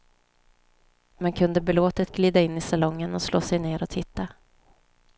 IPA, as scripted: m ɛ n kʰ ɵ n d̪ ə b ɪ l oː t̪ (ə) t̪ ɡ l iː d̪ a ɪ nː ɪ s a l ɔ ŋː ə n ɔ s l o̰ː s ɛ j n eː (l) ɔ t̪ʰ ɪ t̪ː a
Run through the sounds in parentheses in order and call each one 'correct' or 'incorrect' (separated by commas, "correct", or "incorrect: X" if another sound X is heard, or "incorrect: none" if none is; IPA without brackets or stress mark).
correct, incorrect: ɾ